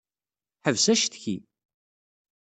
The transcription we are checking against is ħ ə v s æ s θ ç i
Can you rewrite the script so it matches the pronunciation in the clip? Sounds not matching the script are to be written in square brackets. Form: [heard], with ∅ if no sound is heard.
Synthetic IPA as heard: ħ ə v s æ [ʃ] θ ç i